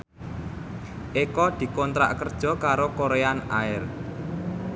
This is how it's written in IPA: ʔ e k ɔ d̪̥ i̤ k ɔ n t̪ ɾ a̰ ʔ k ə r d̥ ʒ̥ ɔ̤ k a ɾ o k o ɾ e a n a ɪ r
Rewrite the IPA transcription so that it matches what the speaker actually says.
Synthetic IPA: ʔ e k ɔ d̪̥ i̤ k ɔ n t̪ ɾ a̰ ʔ k ə r d̥ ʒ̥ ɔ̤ k a ɾ o k o ɾ e a n a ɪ r